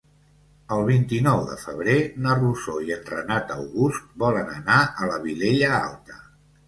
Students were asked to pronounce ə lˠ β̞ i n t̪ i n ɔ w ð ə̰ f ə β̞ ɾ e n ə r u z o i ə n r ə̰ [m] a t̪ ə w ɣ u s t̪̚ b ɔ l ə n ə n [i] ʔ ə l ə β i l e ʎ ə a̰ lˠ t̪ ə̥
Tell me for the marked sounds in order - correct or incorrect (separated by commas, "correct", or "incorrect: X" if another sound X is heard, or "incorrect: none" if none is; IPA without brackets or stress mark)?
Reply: incorrect: n, incorrect: a